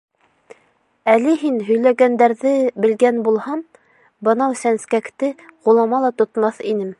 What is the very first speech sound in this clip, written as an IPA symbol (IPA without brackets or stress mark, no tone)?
æ